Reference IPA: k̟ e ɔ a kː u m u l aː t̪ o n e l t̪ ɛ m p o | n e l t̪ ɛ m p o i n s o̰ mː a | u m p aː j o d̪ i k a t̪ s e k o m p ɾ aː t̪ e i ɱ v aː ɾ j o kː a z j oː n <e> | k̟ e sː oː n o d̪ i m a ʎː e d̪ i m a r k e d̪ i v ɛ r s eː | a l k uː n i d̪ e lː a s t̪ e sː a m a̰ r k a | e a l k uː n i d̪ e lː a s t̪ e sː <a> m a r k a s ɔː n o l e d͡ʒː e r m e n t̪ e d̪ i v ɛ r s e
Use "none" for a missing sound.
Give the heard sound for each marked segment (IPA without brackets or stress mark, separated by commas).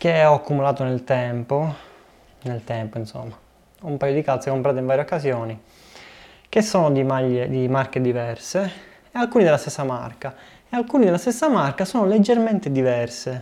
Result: i, a